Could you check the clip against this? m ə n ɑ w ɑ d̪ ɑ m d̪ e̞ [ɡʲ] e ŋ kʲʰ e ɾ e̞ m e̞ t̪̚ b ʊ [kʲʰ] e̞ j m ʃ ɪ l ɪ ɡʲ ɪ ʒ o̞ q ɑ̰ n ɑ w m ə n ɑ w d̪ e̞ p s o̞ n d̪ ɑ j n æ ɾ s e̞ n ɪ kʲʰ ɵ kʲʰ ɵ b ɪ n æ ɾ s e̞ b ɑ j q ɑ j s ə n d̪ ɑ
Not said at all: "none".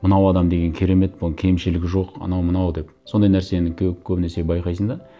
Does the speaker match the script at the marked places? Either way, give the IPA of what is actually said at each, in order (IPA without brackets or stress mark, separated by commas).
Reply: ɡʲ, kʲʰ